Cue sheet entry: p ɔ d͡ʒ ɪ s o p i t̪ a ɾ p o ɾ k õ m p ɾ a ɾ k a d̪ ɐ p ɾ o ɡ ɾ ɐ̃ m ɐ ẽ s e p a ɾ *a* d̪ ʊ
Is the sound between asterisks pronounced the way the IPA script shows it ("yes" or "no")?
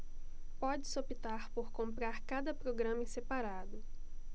yes